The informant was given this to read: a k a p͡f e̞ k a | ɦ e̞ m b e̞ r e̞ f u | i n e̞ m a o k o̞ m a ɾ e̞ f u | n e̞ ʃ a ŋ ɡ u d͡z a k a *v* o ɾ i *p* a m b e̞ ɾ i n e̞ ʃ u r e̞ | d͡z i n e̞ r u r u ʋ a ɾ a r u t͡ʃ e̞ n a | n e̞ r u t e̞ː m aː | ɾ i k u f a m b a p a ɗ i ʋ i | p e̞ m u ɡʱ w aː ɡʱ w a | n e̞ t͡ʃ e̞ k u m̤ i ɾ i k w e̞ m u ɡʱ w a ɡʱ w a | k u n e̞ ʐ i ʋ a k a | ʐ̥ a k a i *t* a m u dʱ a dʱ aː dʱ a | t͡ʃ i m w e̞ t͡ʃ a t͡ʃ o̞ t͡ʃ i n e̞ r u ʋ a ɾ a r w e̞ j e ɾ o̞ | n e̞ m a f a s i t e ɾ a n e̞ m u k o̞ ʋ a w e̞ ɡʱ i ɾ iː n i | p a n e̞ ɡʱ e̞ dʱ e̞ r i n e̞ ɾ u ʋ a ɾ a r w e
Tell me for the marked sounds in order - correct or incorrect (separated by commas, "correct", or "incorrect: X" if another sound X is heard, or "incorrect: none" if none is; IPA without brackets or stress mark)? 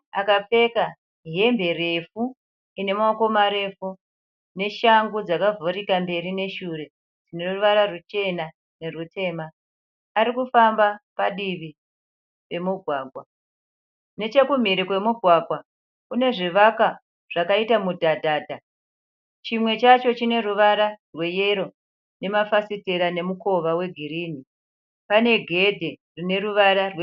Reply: correct, incorrect: k, correct